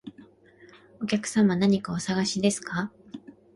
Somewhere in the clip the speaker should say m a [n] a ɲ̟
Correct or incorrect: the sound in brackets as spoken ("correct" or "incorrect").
correct